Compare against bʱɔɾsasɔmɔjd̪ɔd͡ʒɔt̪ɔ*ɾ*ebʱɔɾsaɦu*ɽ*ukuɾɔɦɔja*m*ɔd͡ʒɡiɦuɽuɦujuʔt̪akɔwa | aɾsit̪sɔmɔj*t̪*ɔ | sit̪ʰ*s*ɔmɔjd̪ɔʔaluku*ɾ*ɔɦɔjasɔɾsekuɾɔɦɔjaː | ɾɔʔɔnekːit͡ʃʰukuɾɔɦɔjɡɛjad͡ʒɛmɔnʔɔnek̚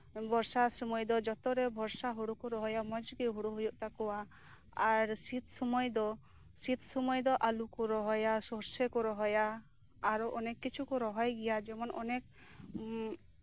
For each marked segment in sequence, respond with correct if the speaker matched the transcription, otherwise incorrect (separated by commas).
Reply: correct, correct, correct, incorrect, correct, correct